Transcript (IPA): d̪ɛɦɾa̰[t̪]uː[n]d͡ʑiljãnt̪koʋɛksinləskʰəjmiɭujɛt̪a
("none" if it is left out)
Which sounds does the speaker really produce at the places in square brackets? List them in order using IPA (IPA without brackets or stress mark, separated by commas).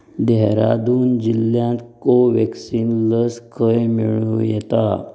d̪, n